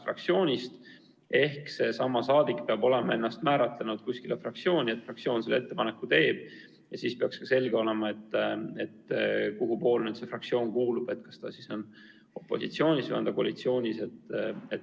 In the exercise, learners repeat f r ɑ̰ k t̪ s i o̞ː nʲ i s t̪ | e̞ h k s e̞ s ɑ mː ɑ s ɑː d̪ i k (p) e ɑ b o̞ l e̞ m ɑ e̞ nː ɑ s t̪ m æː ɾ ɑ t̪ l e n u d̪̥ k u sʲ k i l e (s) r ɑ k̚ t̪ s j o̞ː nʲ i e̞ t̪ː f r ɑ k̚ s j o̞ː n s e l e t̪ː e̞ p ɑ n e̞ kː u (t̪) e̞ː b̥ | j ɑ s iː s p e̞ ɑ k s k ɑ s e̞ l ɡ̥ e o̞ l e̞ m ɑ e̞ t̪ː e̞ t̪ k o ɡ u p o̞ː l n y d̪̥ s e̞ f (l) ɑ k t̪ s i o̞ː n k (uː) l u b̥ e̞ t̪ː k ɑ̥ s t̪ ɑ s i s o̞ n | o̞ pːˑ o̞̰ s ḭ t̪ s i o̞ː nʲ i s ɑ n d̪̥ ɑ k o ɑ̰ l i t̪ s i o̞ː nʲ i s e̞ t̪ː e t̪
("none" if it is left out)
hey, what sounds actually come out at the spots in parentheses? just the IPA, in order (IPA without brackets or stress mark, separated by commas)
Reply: p, f, t̪, r, uː